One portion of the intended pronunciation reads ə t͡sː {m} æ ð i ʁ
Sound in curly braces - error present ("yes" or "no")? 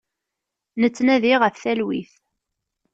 yes